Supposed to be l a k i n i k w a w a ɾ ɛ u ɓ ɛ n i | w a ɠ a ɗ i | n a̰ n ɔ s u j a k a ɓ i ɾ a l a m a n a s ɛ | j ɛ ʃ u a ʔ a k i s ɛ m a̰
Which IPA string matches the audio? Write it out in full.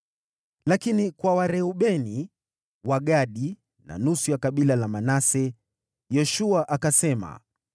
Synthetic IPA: l a k i n i k w a w a ɾ ɛ u ɓ ɛ n i | w a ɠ a ɗ i | n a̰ n u s u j a k a ɓ i l a l a m a n a s ɛ | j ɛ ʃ u a ʔ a k a s ɛ m a̰